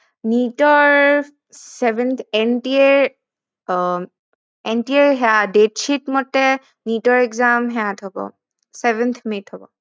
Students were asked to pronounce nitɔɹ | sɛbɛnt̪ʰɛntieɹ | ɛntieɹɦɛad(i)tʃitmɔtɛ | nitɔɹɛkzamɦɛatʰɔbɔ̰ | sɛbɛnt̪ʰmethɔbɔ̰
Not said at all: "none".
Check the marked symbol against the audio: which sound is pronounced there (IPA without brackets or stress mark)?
e